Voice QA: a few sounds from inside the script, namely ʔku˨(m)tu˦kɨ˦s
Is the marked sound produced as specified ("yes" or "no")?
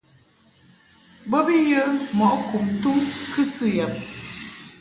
yes